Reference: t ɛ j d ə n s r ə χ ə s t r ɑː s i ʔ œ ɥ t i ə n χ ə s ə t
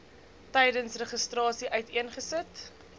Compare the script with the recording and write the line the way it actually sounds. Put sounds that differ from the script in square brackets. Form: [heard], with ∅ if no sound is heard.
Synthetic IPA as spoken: t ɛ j d ə n s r ə χ ə s t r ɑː s i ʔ œ ɥ t i ə n χ ə s ə t